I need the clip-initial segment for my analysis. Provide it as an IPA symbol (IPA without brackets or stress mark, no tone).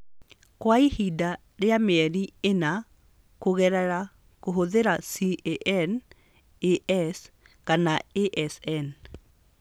k